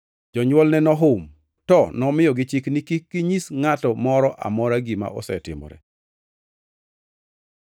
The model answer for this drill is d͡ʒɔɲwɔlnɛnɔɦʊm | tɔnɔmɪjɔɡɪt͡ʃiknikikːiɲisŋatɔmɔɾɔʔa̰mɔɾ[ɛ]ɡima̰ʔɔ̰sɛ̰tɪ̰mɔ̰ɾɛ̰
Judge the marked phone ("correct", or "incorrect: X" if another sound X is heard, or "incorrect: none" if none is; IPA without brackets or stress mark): incorrect: a